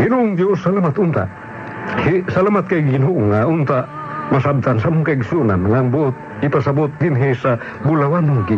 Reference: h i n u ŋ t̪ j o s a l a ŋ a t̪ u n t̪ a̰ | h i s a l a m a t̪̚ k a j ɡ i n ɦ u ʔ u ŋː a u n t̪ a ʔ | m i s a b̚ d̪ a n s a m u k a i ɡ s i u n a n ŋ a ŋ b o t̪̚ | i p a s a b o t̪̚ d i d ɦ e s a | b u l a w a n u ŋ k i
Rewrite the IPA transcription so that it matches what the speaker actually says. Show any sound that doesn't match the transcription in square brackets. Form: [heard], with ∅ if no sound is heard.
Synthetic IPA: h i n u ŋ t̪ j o s a l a [m] a t̪ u n t̪ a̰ | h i s a l a m a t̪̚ k a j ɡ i n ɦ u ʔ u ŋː a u n t̪ a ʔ | m [a] s a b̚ [t̪] a n s a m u k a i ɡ s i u n a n ŋ a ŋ b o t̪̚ | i p a s a b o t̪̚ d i [n] ɦ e s a | b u l a w a n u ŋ k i